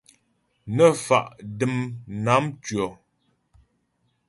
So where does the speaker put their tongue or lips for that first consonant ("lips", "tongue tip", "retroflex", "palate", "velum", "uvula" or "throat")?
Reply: tongue tip